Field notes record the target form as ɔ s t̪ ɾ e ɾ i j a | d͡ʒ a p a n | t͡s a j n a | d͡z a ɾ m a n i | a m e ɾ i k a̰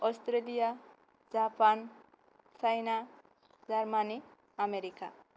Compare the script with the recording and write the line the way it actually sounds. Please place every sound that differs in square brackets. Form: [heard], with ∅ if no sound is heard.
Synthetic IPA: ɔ s t̪ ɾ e [l] i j a | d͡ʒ a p a n | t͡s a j n a | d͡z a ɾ m a n i | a m e ɾ i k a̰